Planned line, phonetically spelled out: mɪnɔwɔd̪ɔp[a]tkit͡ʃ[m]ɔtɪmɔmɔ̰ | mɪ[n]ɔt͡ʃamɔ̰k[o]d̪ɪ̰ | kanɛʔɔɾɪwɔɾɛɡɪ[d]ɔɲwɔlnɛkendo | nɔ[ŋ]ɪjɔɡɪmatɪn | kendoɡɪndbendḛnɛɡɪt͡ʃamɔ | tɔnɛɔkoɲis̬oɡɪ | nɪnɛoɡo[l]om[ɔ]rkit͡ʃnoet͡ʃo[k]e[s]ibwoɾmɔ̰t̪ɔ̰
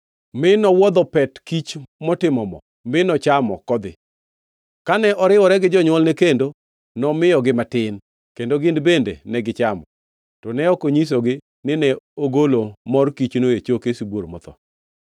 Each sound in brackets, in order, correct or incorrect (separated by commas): incorrect, correct, correct, incorrect, incorrect, incorrect, correct, correct, correct, correct